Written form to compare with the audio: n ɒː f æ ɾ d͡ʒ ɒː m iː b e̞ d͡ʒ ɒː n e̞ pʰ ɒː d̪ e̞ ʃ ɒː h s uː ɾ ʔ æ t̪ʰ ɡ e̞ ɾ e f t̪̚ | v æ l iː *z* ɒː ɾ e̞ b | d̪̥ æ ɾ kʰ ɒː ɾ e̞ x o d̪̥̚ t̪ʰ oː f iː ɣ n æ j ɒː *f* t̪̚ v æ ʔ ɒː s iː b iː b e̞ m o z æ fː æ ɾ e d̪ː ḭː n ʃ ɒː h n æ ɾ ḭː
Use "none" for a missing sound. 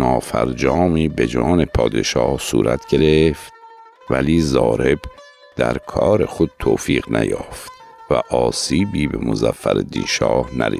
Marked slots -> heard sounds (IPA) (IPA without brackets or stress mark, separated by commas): z, f